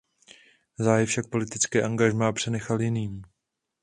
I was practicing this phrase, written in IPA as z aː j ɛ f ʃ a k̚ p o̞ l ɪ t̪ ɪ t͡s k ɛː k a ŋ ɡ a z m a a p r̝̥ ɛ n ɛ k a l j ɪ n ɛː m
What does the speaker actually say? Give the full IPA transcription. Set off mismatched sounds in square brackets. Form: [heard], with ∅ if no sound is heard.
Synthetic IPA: z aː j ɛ f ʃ a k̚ p o̞ l ɪ t̪ ɪ t͡s k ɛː [ʔ] a ŋ ɡ a [ʒ] m a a p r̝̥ ɛ n ɛ [x] a l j ɪ n [iː] m